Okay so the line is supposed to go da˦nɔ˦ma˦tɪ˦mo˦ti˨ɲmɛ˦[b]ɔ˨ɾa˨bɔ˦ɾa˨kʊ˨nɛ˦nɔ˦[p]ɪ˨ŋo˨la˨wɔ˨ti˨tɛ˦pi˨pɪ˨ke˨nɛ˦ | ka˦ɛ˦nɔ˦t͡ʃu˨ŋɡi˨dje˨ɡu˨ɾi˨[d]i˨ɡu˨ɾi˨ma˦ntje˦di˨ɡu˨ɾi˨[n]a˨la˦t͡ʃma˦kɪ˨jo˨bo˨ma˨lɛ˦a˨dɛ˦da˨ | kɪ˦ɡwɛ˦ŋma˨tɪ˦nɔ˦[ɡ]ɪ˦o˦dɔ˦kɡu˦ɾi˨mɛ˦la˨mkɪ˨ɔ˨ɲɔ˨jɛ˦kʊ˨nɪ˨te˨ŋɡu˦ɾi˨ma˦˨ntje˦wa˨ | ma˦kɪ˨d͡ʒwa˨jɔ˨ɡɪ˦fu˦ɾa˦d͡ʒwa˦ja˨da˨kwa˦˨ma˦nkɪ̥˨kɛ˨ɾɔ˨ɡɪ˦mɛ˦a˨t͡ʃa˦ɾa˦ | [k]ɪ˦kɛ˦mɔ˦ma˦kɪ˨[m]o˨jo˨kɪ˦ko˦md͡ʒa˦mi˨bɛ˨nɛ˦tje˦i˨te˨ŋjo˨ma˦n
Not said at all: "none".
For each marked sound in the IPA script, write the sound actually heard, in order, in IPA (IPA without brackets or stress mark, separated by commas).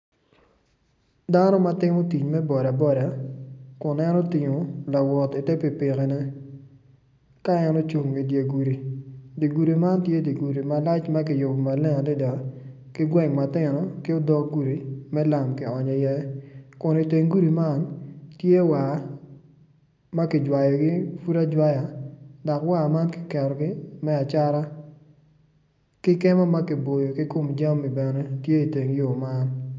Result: b, t, d, m, k, k, b